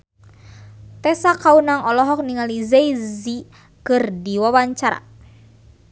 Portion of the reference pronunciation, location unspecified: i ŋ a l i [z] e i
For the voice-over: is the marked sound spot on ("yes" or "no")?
yes